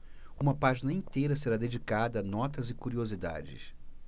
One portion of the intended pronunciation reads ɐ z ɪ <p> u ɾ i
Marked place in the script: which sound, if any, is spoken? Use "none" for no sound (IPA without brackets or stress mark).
k